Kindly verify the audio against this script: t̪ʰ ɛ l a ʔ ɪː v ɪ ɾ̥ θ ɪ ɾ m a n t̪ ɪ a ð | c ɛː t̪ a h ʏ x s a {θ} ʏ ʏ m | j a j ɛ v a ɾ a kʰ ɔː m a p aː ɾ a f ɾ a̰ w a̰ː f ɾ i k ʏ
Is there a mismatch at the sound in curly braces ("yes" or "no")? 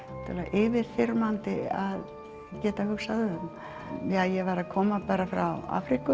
yes